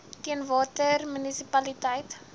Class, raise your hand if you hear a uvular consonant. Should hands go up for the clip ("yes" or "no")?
no